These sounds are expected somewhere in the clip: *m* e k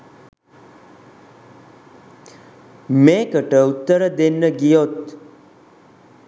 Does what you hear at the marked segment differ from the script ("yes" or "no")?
no